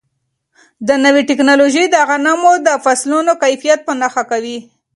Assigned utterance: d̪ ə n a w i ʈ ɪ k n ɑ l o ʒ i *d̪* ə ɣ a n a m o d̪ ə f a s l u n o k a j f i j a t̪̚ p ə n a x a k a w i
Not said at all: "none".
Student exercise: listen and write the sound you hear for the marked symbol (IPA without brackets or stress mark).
d̪